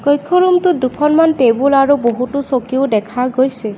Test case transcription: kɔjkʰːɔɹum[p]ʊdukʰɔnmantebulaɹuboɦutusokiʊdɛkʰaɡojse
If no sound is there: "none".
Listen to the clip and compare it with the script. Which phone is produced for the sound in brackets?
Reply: t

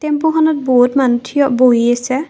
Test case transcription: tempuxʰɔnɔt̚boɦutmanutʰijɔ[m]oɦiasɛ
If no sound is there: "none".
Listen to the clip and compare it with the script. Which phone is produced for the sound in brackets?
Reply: b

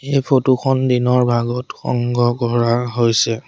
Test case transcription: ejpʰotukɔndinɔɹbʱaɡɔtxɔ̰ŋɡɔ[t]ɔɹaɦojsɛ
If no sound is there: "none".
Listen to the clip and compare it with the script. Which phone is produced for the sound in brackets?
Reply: k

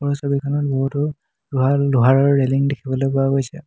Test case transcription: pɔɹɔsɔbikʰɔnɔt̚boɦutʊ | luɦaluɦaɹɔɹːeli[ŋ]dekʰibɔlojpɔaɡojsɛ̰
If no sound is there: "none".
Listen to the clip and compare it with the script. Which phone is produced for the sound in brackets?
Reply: ŋ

